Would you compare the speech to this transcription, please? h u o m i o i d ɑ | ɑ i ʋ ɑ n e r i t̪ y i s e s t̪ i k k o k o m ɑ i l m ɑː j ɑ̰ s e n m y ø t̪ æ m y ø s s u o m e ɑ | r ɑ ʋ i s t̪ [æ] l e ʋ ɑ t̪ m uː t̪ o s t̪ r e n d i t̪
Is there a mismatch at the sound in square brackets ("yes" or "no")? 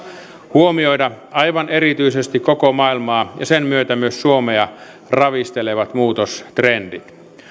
yes